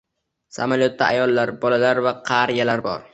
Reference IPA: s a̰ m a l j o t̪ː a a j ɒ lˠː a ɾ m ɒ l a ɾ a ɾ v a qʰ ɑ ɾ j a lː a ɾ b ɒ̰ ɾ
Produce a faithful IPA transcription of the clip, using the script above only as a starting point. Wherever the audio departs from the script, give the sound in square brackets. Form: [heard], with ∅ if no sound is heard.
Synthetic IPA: s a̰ m a l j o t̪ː a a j ɒ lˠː a ɾ [b] ɒ l a [l] a ɾ v a qʰ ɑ ɾ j a [l] a ɾ b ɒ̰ ɾ